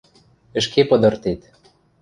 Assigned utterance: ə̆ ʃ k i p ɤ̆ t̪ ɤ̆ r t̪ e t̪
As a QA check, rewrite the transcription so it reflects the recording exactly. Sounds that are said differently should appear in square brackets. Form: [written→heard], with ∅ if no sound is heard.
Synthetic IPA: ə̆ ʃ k [i→e] p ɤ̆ [t̪→d̪] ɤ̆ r t̪ e t̪